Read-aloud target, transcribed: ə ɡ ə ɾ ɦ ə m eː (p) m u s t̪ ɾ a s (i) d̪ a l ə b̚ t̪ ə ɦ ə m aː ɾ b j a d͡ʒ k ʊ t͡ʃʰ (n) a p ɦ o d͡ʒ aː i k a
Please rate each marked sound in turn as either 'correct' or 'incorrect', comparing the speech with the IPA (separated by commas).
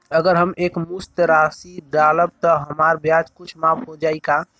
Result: incorrect, correct, incorrect